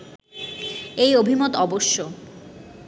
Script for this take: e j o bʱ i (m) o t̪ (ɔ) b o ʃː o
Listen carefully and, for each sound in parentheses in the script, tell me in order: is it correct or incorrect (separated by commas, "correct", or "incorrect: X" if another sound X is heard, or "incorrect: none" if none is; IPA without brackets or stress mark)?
correct, correct